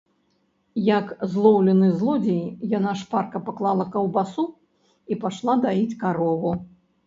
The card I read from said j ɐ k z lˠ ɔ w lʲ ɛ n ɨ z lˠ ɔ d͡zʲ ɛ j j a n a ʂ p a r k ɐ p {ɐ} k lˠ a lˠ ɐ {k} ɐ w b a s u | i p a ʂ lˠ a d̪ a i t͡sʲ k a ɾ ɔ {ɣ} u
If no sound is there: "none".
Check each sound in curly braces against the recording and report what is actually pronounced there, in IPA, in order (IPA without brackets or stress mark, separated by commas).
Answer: a, k, v